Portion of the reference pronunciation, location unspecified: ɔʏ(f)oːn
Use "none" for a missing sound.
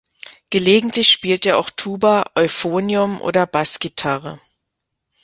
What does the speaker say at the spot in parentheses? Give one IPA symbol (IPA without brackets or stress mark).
f